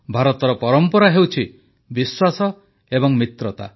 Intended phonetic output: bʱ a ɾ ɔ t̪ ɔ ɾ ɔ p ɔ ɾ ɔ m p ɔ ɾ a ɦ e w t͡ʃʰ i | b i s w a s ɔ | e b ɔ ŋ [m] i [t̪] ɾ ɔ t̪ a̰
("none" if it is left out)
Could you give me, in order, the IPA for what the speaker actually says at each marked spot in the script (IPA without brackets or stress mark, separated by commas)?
m, t̪